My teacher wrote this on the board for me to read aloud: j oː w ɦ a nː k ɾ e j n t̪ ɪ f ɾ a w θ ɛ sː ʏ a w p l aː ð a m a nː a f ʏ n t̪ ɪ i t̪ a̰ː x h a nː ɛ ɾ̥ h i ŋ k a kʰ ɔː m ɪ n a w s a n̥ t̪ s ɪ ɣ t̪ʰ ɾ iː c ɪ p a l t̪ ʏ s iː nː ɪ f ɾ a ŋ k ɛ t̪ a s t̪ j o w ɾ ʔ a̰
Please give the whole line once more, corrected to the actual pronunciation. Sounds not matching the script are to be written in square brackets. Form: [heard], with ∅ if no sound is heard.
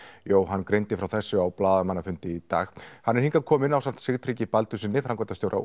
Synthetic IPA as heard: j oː w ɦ a nː k ɾ e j n t̪ ɪ f ɾ a w θ ɛ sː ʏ a w p l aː ð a m a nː a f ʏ n t̪ ɪ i t̪ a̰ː x h a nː ɛ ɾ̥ h i ŋ k a kʰ ɔː m ɪ n a w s a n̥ t̪ s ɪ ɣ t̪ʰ ɾ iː c ɪ p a l t̪ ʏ s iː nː ɪ f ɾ a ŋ k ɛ t̪ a s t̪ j o w ɾ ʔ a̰